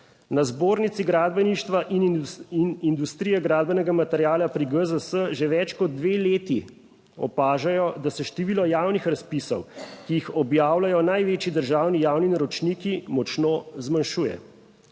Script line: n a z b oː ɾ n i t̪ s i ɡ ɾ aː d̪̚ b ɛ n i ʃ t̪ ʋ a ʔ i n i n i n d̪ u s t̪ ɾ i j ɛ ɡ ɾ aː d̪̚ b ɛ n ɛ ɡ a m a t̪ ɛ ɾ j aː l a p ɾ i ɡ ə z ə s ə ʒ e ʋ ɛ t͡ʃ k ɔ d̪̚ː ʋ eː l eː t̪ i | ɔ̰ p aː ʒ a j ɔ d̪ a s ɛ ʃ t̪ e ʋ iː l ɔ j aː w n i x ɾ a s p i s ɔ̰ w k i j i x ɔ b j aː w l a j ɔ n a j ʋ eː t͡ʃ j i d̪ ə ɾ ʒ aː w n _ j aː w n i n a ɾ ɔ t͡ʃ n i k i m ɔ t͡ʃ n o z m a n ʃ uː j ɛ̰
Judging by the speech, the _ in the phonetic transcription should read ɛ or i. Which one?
i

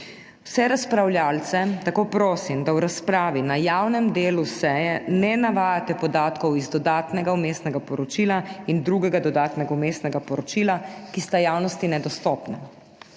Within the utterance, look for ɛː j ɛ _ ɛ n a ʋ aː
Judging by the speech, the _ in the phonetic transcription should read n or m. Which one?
n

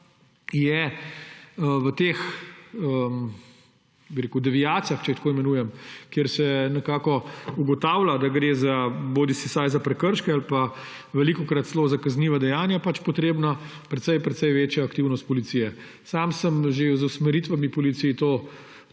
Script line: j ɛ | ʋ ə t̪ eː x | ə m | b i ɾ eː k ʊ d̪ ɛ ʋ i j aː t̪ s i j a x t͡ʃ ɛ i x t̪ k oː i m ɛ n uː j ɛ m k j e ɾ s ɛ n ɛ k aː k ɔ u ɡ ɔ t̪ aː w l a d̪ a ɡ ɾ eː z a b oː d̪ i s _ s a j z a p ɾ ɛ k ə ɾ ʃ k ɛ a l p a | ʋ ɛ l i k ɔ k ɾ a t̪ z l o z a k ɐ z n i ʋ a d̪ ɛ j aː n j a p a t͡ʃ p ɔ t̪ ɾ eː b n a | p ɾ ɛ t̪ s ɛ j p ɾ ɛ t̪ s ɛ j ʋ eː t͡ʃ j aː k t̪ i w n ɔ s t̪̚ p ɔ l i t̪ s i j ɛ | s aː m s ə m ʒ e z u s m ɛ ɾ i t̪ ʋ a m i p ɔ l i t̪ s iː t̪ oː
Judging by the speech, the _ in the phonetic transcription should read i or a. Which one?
i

